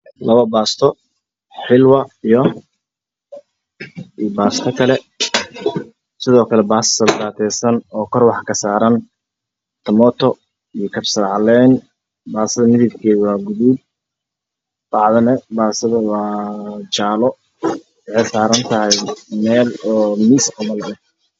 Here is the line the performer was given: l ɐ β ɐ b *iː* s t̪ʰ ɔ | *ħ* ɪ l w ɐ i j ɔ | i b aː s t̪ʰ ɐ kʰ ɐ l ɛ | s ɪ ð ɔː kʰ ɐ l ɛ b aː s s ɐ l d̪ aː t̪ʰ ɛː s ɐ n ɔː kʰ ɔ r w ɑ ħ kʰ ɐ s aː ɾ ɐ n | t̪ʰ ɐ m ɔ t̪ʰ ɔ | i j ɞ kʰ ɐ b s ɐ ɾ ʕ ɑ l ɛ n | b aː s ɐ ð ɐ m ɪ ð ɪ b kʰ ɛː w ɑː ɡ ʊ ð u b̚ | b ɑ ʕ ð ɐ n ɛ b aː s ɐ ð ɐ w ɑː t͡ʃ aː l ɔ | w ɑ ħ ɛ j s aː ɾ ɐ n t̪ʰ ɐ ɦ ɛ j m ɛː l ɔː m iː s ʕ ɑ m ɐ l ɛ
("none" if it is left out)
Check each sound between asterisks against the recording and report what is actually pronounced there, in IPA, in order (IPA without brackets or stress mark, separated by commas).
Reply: aː, ħ